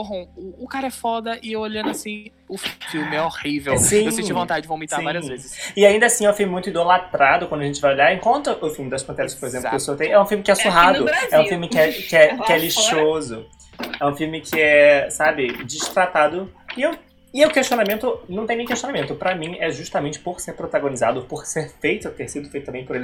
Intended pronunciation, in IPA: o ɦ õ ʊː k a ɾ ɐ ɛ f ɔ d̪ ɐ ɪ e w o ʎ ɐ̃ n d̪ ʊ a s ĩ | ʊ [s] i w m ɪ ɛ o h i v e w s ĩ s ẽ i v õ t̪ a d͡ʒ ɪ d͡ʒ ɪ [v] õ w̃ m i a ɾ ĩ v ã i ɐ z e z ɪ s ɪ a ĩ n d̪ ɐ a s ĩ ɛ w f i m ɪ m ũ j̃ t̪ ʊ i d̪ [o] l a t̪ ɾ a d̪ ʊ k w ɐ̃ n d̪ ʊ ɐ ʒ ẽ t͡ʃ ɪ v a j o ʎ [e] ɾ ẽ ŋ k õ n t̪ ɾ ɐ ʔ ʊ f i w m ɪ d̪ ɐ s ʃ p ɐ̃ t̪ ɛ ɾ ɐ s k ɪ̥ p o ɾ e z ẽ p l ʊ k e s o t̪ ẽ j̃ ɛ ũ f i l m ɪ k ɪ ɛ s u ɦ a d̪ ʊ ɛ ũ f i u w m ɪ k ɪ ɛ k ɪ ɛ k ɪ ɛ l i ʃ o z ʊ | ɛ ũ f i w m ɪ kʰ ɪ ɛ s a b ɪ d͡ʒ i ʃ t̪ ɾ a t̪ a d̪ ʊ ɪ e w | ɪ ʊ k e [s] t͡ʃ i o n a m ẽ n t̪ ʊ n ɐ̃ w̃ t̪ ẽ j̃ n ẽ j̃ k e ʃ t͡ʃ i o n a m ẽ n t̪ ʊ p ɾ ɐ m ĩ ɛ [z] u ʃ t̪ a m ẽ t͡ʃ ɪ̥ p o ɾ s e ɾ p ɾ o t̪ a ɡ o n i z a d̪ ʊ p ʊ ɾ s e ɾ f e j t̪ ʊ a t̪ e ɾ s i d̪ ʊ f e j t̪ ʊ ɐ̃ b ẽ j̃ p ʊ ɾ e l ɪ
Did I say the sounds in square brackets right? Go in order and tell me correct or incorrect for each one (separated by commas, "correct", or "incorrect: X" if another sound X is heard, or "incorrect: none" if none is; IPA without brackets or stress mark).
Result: incorrect: f, correct, correct, incorrect: a, incorrect: ʃ, incorrect: ʒ